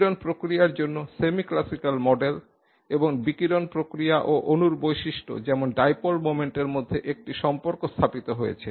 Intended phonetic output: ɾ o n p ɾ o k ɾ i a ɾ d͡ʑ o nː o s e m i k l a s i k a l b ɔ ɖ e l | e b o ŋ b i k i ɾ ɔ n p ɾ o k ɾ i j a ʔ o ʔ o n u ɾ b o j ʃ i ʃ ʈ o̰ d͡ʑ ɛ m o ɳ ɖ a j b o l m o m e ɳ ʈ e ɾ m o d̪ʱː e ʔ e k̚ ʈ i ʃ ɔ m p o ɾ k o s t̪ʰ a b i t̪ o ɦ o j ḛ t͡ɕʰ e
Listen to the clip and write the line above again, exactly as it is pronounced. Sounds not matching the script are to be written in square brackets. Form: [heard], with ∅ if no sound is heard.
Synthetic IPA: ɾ o n p ɾ o k ɾ i a ɾ d͡ʑ o nː o s e m i k l a s i k a l [m] ɔ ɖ e l | e b o ŋ b i k i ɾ [o] n p ɾ o k ɾ i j a ʔ o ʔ o n u ɾ b o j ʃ i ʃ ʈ o̰ d͡ʑ ɛ m o [n] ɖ a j [p] o l m o m e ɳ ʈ e ɾ m o d̪ʱː e ʔ e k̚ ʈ i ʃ ɔ m p o ɾ k o s t̪ʰ a [p] i t̪ o ɦ o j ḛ t͡ɕʰ e